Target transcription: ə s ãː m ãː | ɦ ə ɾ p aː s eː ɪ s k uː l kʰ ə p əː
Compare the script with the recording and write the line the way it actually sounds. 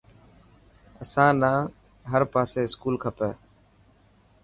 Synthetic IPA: ə s ãː n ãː | ɦ ə ɾ p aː s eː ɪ s k uː l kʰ ə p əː